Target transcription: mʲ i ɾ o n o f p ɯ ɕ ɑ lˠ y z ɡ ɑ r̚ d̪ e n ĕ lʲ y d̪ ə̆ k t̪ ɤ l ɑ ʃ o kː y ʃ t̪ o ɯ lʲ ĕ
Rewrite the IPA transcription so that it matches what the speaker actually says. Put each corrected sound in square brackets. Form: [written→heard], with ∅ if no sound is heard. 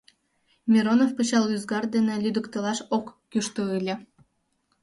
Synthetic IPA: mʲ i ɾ o n o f p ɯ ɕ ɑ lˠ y z ɡ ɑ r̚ d̪ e n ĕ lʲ y d̪ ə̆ k t̪ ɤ l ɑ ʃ o kː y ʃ t̪ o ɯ lʲ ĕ